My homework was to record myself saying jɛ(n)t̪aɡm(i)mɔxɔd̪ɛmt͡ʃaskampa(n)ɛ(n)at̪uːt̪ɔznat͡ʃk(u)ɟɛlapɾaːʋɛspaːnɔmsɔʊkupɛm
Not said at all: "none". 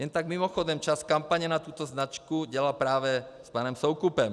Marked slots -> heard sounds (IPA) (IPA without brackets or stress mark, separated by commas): n, i, ɲ, n, u